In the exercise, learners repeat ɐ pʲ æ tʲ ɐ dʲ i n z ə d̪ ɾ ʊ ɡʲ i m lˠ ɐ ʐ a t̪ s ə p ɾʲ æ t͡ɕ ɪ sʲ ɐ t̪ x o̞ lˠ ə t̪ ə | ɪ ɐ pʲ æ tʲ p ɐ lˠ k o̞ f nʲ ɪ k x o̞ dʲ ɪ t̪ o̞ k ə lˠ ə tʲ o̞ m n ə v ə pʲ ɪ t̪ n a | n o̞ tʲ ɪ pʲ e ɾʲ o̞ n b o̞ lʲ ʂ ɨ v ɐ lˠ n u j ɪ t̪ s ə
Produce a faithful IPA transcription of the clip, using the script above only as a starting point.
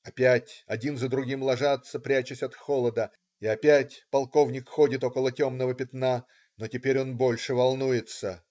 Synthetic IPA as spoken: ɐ pʲ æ tʲ ɐ dʲ i n z ə d̪ ɾ ʊ ɡʲ i m lˠ ɐ ʐ a t̪ s ə p ɾʲ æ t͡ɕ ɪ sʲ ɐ t̪ x o̞ lˠ ə d̪ ə | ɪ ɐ pʲ æ tʲ p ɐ lˠ k o̞ v nʲ ɪ k x o̞ dʲ ɪ t̪ o̞ k ə lˠ ə tʲ o̞ m n ə v ə pʲ ɪ t̪ n a | n o̞ tʲ ɪ pʲ e ɾʲ o̞ n b o̞ lʲ ʂ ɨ v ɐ lˠ n u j ɪ t̪ s ə

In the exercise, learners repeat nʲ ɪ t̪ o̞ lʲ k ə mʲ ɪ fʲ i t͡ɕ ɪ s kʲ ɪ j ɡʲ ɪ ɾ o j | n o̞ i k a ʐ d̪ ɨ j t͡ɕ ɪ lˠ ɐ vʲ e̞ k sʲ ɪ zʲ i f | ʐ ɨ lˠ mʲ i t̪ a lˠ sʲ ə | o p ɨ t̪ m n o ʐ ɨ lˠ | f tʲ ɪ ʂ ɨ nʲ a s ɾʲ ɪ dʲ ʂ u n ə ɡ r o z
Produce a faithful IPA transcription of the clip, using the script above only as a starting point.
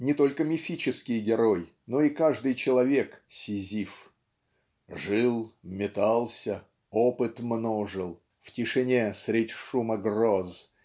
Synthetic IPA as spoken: nʲ ɪ t̪ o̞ lʲ k ə mʲ ɪ fʲ i t͡ɕ ɪ s kʲ ɪ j ɡʲ ɪ ɾ o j | n o̞ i k a ʐ d̪ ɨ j t͡ɕ ɪ lˠ ɐ vʲ e̞ k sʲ ɪ zʲ i f | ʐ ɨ lˠ mʲ ɪ t̪ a lˠ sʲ ə | o p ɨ t̪ m n o ʐ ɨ lˠ | f tʲ ɪ ʂ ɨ nʲ e s ɾʲ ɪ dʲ ʂ u m ə ɡ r o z

